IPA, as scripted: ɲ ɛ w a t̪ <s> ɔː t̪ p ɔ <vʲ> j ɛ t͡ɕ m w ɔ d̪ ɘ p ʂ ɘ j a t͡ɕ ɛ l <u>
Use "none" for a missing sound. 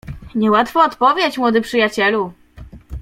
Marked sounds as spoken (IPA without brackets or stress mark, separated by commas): f, vʲ, u